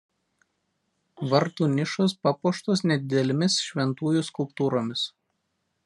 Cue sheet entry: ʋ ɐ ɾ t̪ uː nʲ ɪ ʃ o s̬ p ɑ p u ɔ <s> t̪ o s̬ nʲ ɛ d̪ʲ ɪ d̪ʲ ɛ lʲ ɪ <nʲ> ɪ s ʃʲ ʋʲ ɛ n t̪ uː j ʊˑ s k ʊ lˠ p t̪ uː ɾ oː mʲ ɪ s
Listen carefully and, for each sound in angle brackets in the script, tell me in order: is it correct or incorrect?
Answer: incorrect, incorrect

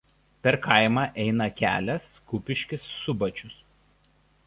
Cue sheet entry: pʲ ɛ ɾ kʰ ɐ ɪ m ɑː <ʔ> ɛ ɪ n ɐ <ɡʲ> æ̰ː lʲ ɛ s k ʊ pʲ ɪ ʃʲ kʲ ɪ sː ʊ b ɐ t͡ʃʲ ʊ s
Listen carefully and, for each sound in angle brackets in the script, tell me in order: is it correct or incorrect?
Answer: correct, incorrect

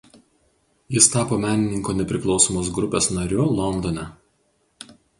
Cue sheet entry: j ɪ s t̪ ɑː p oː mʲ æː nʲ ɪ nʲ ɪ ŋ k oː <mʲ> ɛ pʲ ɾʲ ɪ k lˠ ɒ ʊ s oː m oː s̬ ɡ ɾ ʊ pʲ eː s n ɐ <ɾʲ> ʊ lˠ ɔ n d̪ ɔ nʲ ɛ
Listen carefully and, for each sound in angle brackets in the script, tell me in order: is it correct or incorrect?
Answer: incorrect, correct

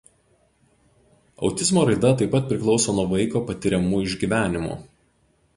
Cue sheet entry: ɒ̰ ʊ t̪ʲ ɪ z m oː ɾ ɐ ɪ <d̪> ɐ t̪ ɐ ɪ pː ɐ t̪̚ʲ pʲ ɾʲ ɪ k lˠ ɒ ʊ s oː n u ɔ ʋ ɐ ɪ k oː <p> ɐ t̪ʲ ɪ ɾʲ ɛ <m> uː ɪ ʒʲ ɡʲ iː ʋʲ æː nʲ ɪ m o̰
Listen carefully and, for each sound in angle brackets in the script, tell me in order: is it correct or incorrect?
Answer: correct, correct, correct

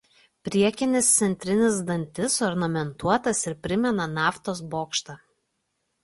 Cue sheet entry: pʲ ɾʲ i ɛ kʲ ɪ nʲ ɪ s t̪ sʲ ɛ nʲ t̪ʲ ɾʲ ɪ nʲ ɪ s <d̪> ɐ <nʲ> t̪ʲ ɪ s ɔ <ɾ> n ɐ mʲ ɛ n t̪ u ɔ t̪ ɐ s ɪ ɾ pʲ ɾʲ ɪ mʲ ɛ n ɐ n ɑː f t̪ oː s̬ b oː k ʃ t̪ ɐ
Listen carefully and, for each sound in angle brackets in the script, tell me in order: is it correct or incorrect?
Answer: correct, correct, correct

